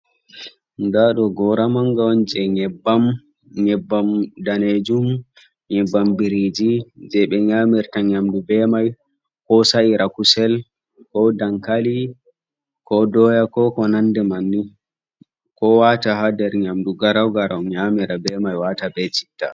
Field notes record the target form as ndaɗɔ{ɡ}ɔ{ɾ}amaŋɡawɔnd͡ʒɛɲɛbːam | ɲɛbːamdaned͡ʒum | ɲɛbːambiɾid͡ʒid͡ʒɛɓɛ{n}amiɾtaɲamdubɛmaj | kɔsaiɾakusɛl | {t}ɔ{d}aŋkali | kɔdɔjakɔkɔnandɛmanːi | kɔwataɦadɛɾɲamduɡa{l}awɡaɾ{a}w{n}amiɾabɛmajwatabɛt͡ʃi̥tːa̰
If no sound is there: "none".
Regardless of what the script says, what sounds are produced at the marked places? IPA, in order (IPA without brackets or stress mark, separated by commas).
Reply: ɡ, ɾ, ɲ, k, d, ɾ, a, ɲ